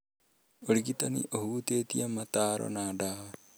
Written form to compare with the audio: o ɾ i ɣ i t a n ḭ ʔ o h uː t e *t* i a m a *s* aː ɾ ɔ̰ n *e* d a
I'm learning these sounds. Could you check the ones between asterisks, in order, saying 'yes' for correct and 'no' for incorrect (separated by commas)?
yes, no, no